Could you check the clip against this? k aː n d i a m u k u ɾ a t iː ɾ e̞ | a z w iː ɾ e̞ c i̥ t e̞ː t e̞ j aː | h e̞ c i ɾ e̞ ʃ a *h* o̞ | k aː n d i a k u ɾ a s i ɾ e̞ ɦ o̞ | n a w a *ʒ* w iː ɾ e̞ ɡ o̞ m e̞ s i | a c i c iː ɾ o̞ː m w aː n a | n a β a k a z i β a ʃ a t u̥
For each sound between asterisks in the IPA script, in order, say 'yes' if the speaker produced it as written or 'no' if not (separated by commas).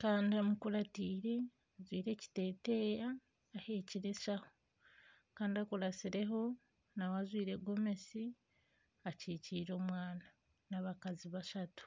yes, no